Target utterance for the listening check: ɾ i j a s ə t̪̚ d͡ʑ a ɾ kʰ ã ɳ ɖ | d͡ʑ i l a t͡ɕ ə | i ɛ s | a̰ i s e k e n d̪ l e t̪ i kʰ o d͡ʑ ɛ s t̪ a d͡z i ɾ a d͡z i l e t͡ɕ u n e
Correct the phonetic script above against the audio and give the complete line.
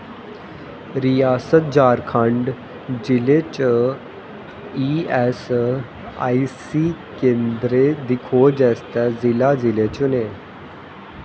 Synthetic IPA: ɾ i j a s ə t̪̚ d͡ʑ a ɾ kʰ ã ɳ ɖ | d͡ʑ i l e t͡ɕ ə | i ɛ s | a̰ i s i k e n d̪ ɾ e d̪ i kʰ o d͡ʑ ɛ s t̪ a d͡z i l a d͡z i l e t͡ɕ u n e